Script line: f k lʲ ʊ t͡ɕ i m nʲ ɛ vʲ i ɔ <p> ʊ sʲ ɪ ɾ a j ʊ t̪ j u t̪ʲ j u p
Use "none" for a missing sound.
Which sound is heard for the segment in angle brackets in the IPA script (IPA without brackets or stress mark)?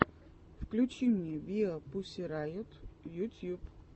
p